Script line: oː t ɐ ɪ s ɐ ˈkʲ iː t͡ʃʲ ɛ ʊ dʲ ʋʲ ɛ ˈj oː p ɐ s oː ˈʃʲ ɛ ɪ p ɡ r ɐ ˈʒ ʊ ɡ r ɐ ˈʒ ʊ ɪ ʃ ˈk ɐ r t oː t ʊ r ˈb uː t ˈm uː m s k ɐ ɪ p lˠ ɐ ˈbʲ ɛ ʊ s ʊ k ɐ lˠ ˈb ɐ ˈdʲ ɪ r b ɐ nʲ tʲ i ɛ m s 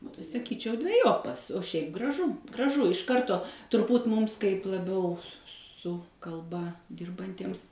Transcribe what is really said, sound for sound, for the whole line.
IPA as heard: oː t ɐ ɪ s ɐ ˈkʲ iː t͡ʃʲ ɛ ʊ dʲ ʋʲ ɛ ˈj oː p ɐ s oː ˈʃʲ ɛ ɪ p ɡ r ɐ ˈʒ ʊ ɡ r ɐ ˈʒ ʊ ɪ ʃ ˈk ɐ r t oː t ʊ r ˈb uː t ˈm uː m s k ɐ ɪ p lˠ ɐ ˈbʲ ɛ ʊ s ʊ k ɐ lˠ ˈb ɐ ˈdʲ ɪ r b ɐ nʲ tʲ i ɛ m s